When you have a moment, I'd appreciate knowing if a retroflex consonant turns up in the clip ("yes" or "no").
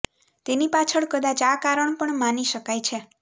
yes